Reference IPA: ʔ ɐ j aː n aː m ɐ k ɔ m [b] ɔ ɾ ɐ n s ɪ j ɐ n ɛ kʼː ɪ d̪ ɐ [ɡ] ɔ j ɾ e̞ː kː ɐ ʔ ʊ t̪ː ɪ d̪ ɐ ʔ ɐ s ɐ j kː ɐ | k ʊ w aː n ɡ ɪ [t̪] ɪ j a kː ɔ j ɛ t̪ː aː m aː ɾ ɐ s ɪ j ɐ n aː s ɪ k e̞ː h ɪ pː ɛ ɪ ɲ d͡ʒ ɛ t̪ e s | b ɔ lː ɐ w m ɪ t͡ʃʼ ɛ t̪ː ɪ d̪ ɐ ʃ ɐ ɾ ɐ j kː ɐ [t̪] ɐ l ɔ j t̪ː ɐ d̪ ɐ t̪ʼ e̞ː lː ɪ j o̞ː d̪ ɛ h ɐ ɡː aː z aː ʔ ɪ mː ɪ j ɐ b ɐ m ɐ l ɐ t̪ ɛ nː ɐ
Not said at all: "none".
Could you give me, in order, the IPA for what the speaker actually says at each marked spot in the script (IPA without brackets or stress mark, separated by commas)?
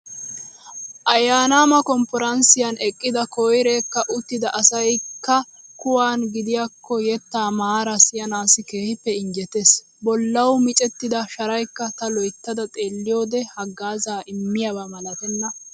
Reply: p, k, d̪, t̪